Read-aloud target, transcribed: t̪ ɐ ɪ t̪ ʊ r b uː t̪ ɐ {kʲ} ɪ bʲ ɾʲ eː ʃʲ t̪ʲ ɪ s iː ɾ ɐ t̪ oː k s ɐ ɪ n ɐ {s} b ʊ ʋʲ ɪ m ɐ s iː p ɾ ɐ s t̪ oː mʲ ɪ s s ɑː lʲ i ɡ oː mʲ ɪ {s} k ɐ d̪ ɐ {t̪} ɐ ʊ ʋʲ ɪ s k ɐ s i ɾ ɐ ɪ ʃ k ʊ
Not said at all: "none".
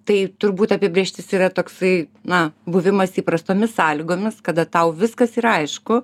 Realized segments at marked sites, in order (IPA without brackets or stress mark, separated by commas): pʲ, none, s, t̪